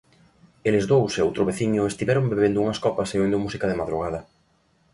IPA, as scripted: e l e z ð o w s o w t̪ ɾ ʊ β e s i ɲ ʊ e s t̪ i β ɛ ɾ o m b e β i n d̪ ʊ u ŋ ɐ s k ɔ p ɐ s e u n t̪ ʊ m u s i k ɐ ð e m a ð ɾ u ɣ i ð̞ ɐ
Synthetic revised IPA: e l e z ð o w s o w t̪ ɾ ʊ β e θ i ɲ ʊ e s t̪ i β ɛ ɾ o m b e β e n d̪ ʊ u ŋ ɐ s k ɔ p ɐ s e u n d̪ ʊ m u s i k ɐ ð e m a ð ɾ u ɣ a ð̞ ɐ